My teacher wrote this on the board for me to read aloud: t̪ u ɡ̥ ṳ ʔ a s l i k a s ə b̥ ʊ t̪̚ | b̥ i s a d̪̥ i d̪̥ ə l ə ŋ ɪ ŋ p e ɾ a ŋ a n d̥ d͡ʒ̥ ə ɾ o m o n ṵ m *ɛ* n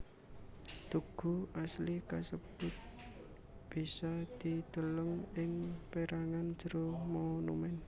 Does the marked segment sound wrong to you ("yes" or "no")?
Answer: no